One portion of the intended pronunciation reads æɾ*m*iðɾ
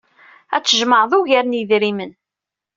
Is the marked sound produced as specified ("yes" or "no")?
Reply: no